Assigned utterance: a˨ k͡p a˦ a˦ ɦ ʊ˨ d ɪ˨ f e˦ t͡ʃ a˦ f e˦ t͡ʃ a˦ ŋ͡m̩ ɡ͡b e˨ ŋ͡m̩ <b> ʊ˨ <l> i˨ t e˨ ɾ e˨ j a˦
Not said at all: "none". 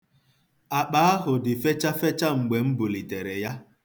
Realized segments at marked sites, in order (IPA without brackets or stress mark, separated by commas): b, l